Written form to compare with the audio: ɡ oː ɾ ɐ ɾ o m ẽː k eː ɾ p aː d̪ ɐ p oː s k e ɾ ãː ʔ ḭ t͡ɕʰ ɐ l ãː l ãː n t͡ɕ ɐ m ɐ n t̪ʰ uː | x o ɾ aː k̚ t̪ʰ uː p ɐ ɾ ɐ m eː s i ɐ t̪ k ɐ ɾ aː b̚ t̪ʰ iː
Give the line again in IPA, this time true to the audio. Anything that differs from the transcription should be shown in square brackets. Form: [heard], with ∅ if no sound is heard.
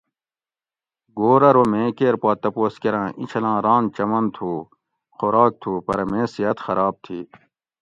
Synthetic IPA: ɡ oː ɾ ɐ ɾ o m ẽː k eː ɾ p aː [t̪] ɐ p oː s k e ɾ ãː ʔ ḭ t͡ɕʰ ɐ l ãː [ɾ] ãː n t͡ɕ ɐ m ɐ n t̪ʰ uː | x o ɾ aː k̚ t̪ʰ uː p ɐ ɾ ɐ m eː s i ɐ t̪ [x] ɐ ɾ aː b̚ t̪ʰ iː

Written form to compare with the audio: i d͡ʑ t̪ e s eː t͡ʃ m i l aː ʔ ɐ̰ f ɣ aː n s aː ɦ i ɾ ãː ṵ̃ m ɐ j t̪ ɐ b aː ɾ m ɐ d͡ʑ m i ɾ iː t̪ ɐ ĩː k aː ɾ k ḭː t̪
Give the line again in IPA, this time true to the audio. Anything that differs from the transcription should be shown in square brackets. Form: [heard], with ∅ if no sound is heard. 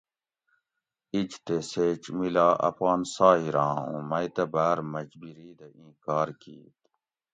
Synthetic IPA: i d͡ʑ t̪ e s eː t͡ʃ m i l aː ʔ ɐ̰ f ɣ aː n s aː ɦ i ɾ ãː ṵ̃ m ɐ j t̪ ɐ b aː ɾ m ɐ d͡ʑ [b] i ɾ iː [d̪] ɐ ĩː k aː ɾ k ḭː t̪

